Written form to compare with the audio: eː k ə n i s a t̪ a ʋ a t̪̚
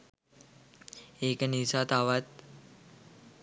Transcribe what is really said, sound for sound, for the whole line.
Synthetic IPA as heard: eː k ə n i s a t̪ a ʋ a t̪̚